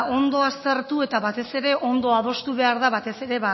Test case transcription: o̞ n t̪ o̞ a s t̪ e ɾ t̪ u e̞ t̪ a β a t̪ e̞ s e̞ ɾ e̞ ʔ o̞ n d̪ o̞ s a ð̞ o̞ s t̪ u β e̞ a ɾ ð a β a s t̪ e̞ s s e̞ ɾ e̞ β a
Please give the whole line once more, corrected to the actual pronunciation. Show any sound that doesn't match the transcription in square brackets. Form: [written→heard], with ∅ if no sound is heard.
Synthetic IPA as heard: o̞ n [t̪→d̪] o̞ a s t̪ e ɾ t̪ u e̞ t̪ a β a t̪ e̞ s e̞ ɾ e̞ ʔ o̞ n d̪ o̞ [s→∅] a ð̞ o̞ s t̪ u β e̞ a ɾ ð a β a [s→∅] t̪ e̞ s s e̞ ɾ e̞ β a